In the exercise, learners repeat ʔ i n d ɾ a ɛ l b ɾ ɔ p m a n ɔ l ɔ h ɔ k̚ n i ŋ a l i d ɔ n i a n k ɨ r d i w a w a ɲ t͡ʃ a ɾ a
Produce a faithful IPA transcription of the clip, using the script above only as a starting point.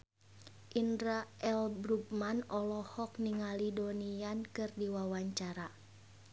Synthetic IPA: ʔ i n d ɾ a ɛ l b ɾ u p m a n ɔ l ɔ h ɔ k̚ n i ŋ a l i d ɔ n i a n k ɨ r d i w a w a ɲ t͡ʃ a ɾ a